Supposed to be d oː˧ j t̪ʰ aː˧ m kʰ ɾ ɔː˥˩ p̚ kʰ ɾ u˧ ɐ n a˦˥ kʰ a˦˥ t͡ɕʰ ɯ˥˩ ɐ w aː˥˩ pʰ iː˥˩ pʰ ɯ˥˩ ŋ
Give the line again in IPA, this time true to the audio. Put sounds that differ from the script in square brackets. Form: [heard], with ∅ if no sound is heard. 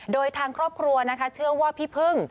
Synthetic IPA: d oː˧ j t̪ʰ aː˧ [ŋ] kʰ ɾ ɔː˥˩ p̚ kʰ ɾ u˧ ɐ n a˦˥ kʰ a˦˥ t͡ɕʰ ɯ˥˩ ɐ w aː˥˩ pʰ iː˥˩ pʰ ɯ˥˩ ŋ